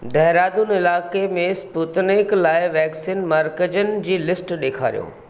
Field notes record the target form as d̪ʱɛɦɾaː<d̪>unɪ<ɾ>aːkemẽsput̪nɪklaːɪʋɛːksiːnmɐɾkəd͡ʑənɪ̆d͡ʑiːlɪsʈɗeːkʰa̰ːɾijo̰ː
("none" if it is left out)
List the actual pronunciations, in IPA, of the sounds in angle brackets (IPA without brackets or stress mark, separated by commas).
d̪, l